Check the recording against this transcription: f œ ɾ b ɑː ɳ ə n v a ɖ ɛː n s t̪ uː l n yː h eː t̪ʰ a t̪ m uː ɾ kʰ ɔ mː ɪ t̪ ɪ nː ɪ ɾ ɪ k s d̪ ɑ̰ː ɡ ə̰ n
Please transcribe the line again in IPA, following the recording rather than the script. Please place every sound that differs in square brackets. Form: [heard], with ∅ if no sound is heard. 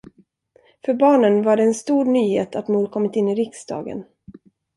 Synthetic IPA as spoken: f œ ɾ b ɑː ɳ ə n v a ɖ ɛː n s t̪ uː [ɾ] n yː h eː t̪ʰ a t̪ m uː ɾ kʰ ɔ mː ɪ t̪ ɪ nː ɪ ɾ ɪ k s d̪ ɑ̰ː ɡ ə̰ n